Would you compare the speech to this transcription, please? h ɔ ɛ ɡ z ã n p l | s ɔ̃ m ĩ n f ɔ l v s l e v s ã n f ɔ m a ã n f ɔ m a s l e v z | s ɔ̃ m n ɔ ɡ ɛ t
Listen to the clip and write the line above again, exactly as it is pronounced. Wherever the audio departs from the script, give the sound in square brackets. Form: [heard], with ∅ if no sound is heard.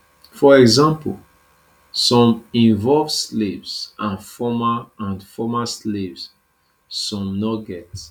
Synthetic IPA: [f] ɔ ɛ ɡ z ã [m] p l | s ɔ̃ m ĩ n [v] ɔ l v s l e v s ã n f ɔ m a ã n f ɔ m a s l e v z | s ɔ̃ m n ɔ ɡ ɛ t